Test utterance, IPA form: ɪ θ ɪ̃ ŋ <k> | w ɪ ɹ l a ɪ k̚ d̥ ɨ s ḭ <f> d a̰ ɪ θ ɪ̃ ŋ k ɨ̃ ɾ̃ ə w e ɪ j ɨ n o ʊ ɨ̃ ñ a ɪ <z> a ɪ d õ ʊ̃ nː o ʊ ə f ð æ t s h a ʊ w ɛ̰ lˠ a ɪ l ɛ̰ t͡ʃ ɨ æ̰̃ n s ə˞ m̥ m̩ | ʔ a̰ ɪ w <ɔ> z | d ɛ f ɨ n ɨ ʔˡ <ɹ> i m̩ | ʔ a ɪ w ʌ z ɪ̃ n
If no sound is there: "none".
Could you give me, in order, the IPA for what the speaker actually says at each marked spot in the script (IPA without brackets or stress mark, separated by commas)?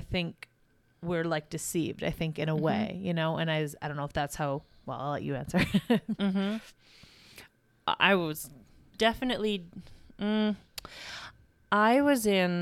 k, v, z, ʌ, l